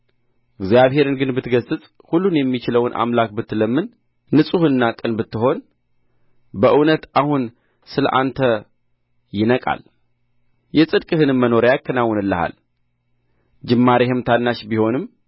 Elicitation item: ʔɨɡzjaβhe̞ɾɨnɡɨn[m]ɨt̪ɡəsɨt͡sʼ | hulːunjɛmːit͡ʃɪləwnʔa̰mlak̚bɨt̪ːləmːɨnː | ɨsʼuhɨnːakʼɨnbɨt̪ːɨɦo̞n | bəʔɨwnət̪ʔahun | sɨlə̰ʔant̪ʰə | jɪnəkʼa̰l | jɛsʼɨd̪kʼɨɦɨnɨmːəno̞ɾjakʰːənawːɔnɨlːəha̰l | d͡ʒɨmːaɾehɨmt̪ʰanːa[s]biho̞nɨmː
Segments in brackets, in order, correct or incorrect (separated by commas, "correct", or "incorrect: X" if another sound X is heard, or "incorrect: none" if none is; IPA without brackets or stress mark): incorrect: b, incorrect: ʃ